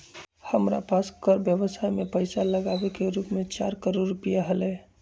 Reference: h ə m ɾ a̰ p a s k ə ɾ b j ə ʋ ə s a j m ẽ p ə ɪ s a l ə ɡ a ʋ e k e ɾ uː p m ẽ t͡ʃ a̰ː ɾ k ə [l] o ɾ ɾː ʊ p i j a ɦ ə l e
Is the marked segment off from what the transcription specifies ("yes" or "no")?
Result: yes